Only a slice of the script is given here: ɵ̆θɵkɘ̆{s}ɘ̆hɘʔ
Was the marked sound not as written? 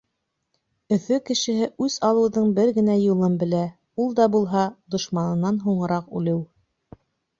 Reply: yes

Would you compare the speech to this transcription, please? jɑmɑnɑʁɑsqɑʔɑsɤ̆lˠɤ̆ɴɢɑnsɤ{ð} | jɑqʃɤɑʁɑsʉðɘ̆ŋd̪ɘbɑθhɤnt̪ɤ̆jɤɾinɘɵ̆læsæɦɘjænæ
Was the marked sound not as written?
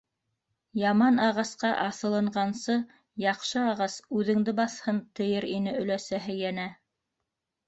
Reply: yes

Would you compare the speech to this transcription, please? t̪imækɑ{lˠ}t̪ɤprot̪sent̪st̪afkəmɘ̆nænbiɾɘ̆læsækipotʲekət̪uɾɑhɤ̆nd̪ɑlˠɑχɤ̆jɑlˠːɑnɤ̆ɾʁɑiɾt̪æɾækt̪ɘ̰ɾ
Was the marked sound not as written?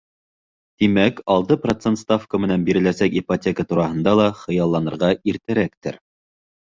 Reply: no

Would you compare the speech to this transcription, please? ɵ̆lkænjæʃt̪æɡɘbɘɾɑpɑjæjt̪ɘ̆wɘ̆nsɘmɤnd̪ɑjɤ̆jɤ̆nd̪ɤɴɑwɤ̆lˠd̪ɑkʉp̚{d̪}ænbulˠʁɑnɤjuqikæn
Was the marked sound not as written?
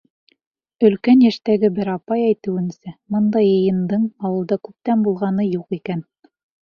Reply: yes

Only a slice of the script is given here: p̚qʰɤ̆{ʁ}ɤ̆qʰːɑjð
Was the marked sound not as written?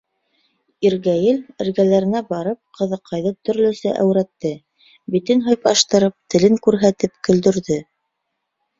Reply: yes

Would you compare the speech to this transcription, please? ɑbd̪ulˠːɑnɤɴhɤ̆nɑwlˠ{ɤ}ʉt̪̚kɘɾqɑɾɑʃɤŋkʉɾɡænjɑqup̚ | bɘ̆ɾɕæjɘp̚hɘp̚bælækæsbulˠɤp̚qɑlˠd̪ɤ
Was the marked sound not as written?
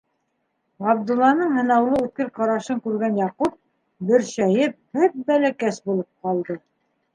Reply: no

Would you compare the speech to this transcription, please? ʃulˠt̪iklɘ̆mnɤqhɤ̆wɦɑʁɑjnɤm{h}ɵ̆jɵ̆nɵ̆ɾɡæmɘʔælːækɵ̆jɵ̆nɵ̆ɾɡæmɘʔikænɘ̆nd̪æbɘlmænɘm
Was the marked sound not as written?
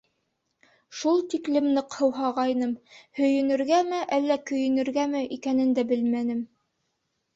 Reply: no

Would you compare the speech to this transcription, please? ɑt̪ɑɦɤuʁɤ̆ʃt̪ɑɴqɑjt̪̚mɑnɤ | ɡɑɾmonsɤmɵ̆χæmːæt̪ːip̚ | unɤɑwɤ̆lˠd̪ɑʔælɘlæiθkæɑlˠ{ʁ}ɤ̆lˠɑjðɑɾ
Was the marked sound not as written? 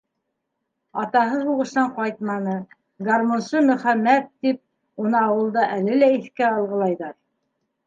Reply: no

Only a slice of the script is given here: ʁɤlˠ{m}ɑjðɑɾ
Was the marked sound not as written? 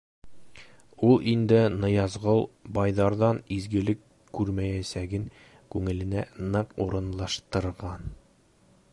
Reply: yes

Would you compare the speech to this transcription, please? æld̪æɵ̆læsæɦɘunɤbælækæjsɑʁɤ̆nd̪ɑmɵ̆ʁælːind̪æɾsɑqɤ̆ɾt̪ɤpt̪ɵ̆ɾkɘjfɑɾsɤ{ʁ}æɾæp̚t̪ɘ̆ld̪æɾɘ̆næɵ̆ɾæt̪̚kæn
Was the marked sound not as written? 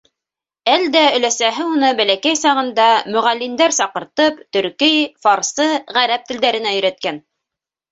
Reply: no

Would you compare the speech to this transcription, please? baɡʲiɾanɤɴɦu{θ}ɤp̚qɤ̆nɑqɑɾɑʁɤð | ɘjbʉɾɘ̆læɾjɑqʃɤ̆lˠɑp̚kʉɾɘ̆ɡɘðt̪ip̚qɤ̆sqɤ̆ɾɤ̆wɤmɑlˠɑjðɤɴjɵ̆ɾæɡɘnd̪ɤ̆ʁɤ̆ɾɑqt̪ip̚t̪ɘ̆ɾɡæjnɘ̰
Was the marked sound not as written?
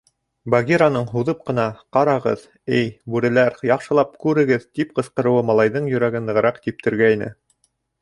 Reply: yes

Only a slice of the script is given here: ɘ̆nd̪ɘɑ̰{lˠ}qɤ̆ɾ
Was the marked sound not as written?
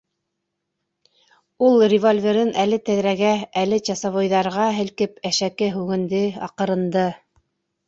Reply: yes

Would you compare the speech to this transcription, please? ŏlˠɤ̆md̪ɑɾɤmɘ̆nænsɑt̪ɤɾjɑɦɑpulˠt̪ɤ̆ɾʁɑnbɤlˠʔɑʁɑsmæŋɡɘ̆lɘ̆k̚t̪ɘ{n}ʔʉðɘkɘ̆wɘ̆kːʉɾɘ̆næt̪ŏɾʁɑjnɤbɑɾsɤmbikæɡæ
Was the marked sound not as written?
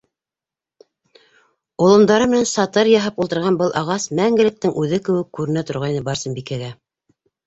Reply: yes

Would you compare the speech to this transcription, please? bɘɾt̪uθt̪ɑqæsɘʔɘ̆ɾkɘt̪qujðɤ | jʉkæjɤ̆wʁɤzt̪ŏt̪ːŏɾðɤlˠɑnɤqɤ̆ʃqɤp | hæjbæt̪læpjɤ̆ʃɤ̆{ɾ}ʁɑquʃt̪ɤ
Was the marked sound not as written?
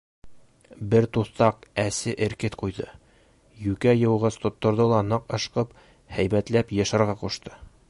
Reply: no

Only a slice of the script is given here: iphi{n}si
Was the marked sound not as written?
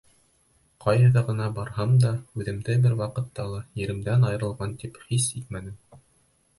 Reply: yes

